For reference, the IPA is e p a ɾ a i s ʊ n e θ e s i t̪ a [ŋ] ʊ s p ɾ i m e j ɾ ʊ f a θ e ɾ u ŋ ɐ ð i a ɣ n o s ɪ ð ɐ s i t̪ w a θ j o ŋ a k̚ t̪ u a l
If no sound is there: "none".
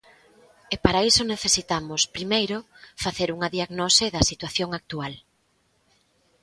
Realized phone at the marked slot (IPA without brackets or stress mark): m